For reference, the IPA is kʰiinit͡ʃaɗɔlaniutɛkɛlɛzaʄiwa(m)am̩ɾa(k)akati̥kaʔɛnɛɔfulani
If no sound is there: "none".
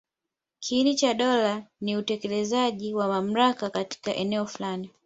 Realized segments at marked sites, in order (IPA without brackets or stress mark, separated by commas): m, k